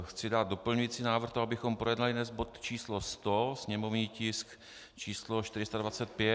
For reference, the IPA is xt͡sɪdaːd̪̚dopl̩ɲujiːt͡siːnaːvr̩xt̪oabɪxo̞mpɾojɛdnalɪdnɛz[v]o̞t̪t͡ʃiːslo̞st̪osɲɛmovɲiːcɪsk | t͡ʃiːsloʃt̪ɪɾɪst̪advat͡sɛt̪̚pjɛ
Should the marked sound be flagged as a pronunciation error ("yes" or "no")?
yes